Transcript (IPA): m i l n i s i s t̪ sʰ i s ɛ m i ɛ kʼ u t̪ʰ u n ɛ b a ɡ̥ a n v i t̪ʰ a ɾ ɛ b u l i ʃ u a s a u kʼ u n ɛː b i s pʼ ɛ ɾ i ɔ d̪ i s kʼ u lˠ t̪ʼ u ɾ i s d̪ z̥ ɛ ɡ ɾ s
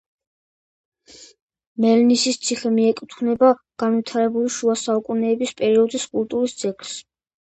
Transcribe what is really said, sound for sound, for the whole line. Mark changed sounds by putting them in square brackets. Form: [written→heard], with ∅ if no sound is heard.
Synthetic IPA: m [i→ɛ] l n i s i s t̪ sʰ i [s→χ] ɛ m i ɛ kʼ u t̪ʰ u n ɛ b a ɡ̥ a n v i t̪ʰ a ɾ ɛ b u l i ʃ u a s a u kʼ u n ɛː b i s pʼ ɛ ɾ i ɔ d̪ i s kʼ u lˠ t̪ʼ u ɾ i s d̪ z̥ ɛ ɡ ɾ s